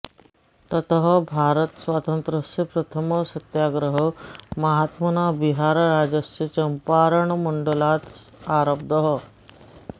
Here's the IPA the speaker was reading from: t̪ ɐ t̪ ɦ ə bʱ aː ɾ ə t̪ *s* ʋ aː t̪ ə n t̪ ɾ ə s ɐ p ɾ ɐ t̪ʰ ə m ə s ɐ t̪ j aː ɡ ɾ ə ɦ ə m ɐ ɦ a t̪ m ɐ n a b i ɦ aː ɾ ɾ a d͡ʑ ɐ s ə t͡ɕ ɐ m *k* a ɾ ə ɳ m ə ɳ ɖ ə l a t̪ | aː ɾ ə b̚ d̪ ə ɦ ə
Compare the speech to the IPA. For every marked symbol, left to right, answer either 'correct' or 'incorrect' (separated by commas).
correct, incorrect